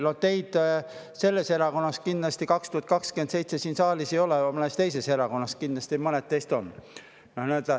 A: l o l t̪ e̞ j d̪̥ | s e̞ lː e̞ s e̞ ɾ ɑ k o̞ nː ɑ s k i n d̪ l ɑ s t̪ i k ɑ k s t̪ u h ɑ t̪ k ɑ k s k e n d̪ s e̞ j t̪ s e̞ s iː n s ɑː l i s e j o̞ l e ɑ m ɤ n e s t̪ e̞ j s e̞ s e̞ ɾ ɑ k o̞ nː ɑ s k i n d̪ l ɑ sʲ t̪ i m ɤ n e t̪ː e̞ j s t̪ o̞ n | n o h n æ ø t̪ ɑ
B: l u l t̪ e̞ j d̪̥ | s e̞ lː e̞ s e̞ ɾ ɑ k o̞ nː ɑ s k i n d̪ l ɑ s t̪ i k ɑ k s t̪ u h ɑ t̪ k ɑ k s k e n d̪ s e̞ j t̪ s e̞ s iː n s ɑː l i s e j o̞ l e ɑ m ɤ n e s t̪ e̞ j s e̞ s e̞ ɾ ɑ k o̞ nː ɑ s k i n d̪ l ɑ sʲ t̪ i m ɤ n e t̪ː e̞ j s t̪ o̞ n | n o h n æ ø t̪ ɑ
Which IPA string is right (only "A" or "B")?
A